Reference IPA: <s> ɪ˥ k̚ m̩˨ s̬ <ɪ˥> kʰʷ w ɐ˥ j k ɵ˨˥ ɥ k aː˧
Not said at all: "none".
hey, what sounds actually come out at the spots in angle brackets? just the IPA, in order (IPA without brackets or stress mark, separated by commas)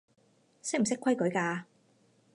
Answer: s, ɪ˥